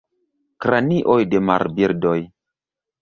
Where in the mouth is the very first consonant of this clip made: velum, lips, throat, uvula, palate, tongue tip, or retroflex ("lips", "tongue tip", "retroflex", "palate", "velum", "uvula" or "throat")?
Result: velum